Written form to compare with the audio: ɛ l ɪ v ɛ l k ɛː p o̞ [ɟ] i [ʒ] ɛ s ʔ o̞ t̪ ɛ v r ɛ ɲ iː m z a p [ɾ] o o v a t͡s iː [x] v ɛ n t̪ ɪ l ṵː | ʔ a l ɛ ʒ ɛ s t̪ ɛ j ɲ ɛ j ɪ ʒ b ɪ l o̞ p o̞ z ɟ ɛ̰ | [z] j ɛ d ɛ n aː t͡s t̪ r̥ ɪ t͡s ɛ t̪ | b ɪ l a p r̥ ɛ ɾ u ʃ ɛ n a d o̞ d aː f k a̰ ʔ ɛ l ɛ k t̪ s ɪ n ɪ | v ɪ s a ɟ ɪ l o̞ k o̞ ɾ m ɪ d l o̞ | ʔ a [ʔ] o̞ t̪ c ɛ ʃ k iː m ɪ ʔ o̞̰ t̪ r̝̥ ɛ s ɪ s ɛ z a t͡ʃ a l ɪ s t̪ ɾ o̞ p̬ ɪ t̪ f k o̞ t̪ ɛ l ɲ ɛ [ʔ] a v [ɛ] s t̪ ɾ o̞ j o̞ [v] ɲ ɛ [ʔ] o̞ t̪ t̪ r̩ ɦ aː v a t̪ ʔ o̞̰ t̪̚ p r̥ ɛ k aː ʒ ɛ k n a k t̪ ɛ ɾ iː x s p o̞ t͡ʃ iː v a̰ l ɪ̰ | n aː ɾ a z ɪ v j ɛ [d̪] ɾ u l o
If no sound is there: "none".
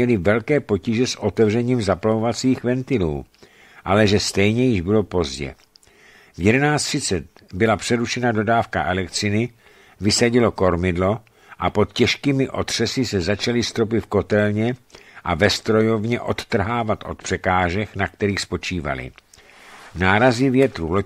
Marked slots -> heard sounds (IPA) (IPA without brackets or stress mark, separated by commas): c, ʒ, l, x, v, p, ʔ, ɛ, v, ʔ, t̪